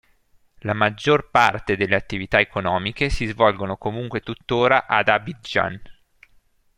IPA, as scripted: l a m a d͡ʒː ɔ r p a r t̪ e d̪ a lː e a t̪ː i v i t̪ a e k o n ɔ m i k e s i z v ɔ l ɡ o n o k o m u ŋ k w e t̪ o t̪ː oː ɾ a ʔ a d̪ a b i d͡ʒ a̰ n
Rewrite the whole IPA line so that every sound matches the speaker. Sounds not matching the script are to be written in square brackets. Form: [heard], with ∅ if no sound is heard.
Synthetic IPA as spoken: l a m a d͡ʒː [o] r p a r t̪ e d̪ [e] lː e a t̪ː i v i t̪ a e k o n [ɔː] m i k e s i z v ɔ l ɡ o n o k o m u ŋ k w e t̪ [u] t̪ː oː ɾ a ʔ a d̪ a b i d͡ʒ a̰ n